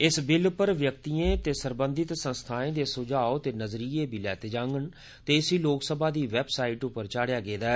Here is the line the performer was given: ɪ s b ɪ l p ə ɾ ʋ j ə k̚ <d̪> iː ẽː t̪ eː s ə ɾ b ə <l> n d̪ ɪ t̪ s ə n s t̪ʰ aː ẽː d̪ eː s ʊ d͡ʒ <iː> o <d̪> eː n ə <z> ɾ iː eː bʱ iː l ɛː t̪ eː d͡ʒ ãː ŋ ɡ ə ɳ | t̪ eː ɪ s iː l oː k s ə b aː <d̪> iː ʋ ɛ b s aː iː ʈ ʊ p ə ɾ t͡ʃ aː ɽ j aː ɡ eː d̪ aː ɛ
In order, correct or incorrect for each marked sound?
incorrect: t̪, incorrect: none, incorrect: aː, incorrect: t̪, correct, correct

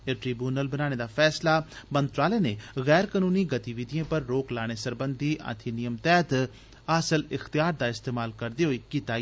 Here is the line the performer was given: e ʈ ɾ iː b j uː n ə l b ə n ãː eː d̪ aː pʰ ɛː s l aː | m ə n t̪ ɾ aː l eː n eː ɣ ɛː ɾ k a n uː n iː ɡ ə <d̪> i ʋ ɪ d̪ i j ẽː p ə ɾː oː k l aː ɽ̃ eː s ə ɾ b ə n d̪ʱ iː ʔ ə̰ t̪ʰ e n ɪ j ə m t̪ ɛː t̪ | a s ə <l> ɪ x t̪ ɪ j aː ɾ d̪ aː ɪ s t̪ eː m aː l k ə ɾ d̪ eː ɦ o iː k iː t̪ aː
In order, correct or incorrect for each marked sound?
incorrect: t̪, correct

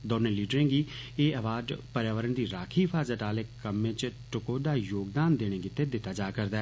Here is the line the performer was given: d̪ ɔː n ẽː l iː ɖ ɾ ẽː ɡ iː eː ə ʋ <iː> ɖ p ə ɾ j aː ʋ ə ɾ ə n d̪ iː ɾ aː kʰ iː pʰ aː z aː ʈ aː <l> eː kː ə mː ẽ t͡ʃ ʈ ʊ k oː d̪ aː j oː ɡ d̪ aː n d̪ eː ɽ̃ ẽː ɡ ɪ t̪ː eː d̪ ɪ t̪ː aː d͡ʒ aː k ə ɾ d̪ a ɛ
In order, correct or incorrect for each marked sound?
incorrect: aː, correct

